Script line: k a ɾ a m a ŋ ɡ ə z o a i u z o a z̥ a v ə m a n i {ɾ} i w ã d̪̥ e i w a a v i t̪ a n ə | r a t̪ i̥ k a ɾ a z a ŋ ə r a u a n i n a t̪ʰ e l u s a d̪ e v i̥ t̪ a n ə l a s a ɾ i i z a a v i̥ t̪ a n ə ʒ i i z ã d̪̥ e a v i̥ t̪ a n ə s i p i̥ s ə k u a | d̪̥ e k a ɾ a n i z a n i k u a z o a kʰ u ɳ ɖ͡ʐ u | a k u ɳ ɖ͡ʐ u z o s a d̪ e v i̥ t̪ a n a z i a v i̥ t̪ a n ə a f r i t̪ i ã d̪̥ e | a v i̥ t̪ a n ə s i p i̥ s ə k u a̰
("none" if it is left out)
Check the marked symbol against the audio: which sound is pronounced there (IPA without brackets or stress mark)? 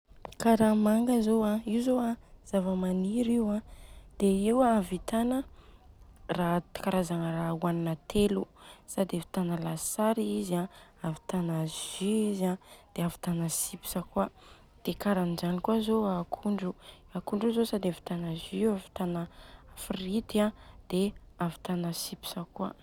ɾ